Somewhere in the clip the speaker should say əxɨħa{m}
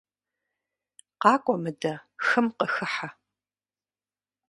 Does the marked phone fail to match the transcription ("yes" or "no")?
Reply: yes